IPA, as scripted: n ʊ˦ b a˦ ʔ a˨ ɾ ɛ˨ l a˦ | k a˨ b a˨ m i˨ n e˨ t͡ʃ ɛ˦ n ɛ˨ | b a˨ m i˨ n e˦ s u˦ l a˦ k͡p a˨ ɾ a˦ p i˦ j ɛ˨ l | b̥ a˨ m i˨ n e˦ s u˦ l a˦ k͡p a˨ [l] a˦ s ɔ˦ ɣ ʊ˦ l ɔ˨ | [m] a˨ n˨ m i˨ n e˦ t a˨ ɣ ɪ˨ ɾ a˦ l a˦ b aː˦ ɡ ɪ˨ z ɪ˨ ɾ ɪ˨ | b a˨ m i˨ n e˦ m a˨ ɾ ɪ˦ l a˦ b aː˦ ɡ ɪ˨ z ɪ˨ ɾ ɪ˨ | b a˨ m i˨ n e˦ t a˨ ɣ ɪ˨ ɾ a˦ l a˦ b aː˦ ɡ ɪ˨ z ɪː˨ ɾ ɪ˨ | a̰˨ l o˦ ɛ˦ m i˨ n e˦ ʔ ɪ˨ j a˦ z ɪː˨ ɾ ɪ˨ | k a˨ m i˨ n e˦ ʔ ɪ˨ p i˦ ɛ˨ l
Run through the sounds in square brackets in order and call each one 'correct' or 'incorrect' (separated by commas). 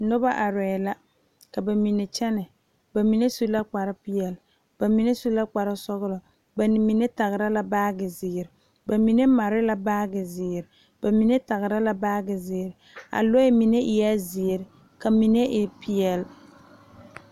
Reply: incorrect, incorrect